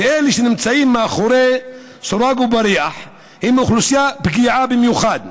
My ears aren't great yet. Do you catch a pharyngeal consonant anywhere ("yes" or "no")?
yes